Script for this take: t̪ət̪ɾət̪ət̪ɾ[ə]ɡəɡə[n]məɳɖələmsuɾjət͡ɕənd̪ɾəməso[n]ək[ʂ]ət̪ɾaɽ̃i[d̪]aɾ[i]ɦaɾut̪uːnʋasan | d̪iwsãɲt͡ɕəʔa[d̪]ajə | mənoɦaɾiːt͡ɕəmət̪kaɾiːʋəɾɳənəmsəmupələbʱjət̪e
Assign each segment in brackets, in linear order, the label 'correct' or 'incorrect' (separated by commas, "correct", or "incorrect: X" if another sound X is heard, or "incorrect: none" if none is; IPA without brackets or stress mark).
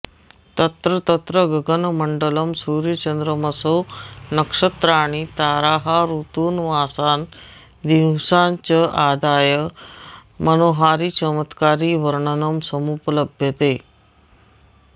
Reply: correct, correct, correct, correct, incorrect: t̪, incorrect: a, correct